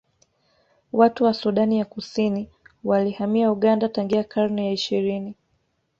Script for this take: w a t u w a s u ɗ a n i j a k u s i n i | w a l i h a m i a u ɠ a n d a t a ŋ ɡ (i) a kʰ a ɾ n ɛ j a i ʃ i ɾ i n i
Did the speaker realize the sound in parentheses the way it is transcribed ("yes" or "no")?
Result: yes